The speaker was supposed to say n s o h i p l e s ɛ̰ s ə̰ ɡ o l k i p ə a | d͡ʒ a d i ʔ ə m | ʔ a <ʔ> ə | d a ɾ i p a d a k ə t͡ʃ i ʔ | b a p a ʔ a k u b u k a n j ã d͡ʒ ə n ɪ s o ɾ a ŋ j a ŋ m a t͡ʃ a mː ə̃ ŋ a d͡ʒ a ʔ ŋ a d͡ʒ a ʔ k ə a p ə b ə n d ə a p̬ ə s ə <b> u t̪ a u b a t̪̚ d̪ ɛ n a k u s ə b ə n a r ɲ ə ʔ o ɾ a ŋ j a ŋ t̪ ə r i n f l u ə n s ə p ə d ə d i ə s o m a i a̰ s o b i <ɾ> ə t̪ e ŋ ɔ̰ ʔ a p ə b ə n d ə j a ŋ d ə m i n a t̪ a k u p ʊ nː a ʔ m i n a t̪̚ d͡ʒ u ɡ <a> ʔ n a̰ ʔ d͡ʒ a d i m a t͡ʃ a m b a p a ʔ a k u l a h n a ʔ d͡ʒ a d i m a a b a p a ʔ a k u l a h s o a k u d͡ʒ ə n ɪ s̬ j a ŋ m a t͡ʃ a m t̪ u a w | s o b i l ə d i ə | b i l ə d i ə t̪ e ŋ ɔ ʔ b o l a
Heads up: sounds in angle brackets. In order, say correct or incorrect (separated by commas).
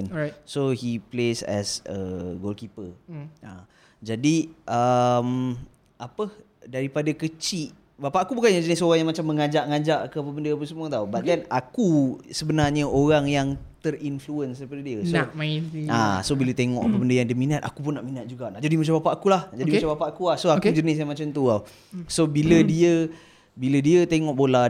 incorrect, incorrect, incorrect, correct